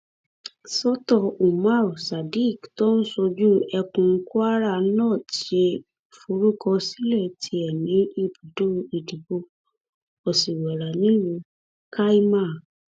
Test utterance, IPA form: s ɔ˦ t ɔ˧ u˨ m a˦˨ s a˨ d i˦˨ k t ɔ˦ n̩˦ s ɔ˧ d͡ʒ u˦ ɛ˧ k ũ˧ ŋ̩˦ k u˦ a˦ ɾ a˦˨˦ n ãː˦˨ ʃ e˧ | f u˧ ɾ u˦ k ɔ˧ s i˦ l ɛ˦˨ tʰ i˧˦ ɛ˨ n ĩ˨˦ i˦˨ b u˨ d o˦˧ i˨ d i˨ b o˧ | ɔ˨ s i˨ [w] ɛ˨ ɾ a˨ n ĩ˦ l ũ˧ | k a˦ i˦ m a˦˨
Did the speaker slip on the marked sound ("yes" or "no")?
no